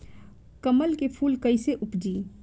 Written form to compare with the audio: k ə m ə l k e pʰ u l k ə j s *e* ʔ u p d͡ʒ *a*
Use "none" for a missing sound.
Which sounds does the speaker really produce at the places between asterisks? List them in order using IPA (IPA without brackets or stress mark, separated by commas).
e, i